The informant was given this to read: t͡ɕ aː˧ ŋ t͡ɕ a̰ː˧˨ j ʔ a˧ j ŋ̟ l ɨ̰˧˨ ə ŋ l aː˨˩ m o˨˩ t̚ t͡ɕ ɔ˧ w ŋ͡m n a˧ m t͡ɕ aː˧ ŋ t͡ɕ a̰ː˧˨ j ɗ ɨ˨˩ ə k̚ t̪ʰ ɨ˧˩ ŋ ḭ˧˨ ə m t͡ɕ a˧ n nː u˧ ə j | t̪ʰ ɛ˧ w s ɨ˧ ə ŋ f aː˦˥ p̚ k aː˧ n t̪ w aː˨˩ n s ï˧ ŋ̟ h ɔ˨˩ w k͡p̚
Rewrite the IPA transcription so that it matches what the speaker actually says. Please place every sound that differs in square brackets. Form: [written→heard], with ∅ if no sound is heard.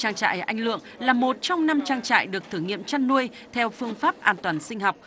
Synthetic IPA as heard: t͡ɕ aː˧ ŋ t͡ɕ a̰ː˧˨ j ʔ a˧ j ŋ̟ l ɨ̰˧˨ ə ŋ l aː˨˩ m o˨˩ t̚ t͡ɕ ɔ˧ w ŋ͡m n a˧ m t͡ɕ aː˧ ŋ t͡ɕ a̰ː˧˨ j ɗ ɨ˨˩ ə k̚ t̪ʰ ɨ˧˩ ŋ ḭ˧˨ ə m t͡ɕ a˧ n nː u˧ ə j | t̪ʰ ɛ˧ w [s→f] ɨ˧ ə ŋ f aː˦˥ p̚ [k→ʔ] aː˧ n t̪ w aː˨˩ n s ï˧ ŋ̟ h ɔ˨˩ w k͡p̚